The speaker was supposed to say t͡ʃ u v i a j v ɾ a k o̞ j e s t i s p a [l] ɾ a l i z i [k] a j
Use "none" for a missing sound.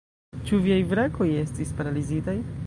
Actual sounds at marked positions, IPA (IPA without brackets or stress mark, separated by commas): none, t